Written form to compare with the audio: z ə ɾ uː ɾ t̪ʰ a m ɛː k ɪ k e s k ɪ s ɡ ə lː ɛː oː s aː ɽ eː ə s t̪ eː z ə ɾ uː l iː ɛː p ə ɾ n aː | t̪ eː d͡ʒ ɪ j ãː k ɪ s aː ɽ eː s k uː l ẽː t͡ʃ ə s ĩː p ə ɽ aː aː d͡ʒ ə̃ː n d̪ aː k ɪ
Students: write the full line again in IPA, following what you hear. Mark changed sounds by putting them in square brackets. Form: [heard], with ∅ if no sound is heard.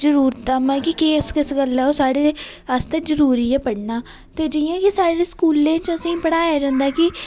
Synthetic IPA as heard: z ə ɾ uː ɾ [t̪] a m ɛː k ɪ k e s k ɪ s ɡ ə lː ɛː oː s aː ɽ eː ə s t̪ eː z ə ɾ uː [ɾ] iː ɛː p ə [ɽ] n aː | t̪ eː d͡ʒ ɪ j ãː k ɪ s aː ɽ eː s k uː l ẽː t͡ʃ ə s ĩː p ə ɽ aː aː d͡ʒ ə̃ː n d̪ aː k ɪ